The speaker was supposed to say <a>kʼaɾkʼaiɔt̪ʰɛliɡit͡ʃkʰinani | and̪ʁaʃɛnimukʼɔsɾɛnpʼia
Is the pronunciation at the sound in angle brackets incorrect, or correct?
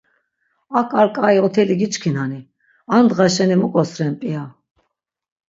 correct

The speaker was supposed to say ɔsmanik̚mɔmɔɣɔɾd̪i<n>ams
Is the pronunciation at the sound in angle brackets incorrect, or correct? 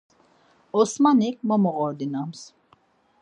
correct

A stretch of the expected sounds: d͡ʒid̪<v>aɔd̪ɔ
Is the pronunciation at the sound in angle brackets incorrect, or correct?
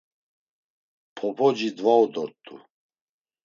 correct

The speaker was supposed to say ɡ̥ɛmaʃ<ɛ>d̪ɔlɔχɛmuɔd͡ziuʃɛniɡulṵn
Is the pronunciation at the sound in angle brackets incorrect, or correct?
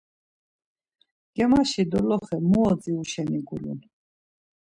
incorrect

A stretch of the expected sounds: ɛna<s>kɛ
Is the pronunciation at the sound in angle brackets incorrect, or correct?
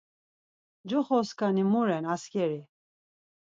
correct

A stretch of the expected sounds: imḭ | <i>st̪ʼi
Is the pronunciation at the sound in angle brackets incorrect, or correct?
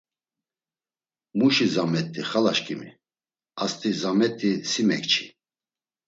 incorrect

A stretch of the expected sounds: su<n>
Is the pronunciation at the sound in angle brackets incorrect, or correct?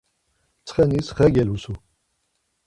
incorrect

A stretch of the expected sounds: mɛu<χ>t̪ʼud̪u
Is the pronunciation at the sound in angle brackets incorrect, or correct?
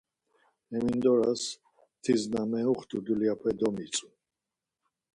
correct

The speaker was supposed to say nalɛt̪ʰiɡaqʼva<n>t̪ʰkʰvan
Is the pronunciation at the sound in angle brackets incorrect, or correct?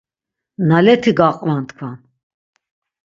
correct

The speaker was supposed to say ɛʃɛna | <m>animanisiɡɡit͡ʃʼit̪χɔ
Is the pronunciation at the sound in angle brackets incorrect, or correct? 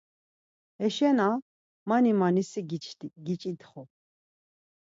correct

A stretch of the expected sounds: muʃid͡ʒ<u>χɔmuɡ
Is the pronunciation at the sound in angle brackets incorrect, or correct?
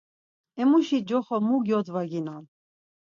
incorrect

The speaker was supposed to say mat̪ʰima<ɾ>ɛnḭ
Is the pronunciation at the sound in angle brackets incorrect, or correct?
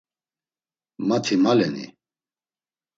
incorrect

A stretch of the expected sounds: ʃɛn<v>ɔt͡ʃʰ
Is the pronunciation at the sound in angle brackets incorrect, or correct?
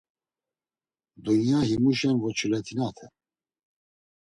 correct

